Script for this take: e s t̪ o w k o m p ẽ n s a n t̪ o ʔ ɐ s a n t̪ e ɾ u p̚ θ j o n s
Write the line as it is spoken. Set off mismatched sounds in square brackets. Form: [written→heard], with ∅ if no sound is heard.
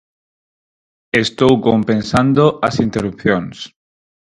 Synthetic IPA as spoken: e s t̪ o w k o m p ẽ n s a n [t̪→d̪] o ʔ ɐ s [a→i] n t̪ e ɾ u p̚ θ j o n s